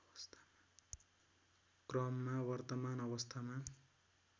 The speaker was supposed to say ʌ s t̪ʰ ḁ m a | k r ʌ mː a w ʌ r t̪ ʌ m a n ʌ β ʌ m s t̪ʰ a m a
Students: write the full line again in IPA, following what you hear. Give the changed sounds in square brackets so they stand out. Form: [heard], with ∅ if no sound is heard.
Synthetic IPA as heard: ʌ s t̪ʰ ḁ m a | k r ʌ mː a w ʌ r t̪ ʌ m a n ʌ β ʌ [∅] s t̪ʰ a m a